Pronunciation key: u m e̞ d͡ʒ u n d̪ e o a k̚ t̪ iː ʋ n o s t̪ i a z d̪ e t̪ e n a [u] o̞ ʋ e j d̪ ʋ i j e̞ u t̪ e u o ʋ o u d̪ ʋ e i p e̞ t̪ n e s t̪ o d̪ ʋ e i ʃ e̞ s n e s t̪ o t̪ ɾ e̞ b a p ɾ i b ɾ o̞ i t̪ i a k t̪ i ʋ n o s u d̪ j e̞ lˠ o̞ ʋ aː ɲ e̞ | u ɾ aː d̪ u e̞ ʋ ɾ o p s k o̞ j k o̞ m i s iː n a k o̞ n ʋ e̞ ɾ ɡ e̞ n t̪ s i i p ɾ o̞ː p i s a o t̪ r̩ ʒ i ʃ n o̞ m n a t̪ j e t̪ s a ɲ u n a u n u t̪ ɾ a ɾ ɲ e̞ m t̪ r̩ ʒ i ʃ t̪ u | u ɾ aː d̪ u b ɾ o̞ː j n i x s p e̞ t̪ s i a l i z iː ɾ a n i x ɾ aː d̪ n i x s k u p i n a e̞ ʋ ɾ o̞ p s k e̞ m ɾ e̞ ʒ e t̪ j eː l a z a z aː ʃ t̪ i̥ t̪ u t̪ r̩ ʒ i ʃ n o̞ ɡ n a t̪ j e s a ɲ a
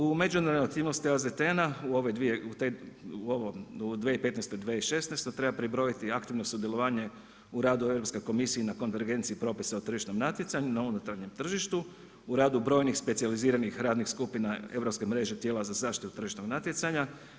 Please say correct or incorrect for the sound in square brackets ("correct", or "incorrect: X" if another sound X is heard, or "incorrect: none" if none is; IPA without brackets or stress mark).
correct